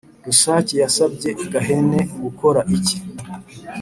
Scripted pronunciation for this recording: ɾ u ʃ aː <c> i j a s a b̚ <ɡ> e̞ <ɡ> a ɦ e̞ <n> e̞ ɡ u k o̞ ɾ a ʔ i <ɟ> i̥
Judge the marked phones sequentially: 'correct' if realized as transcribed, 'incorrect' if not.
correct, incorrect: ɟ, correct, correct, incorrect: c

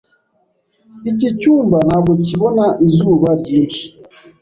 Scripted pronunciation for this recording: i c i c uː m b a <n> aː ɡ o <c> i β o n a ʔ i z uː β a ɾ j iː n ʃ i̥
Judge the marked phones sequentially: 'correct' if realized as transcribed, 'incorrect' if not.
correct, correct

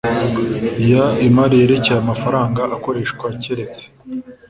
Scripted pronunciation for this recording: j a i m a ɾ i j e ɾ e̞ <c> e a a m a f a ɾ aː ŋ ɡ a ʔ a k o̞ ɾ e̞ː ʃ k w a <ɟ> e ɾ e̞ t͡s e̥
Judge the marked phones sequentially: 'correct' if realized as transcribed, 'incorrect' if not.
correct, incorrect: c

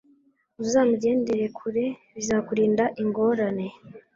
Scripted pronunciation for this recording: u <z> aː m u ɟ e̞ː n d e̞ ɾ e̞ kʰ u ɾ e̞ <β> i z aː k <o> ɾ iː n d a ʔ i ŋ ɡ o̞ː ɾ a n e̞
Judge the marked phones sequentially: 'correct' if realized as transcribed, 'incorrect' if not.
correct, correct, incorrect: u

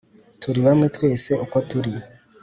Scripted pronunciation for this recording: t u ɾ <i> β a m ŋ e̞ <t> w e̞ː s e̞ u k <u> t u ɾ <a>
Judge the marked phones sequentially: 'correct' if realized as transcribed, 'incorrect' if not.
correct, correct, incorrect: o, incorrect: i

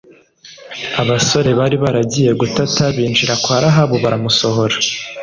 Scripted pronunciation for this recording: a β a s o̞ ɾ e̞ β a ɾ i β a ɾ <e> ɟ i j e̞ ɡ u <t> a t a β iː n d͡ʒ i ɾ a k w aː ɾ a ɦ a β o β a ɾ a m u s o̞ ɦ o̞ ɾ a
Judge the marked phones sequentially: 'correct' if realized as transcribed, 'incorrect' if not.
incorrect: a, correct

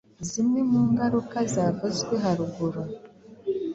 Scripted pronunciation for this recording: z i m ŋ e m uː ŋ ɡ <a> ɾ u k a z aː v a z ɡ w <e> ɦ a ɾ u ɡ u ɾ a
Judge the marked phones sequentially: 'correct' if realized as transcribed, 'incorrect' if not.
correct, correct

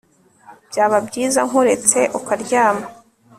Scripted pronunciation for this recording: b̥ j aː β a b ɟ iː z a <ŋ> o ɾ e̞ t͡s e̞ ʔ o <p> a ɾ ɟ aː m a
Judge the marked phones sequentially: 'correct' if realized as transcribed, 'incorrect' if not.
correct, incorrect: k

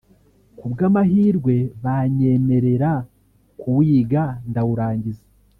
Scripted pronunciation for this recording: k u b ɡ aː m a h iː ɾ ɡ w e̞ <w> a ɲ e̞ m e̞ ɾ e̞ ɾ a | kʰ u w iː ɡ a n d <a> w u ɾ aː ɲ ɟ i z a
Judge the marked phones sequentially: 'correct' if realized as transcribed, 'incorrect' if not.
incorrect: β, correct

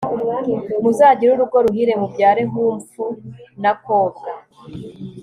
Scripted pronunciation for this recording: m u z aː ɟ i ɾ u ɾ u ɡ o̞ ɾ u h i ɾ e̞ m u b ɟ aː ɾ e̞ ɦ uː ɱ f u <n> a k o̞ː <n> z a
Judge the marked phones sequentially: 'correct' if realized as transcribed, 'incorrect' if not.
correct, incorrect: none

